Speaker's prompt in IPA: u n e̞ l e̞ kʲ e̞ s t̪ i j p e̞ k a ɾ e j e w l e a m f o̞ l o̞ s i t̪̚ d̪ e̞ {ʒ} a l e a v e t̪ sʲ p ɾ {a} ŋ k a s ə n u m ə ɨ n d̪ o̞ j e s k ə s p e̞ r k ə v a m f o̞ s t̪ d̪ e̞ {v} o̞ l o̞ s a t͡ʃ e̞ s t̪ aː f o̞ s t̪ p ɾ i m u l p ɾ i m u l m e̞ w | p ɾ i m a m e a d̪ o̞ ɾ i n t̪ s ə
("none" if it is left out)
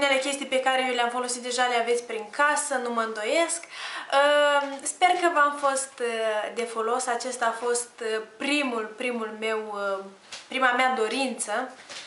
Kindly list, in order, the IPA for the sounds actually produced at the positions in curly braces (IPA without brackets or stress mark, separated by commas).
ʒ, i, f